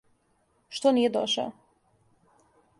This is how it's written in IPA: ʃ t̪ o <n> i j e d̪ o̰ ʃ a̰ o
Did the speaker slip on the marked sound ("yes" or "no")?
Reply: no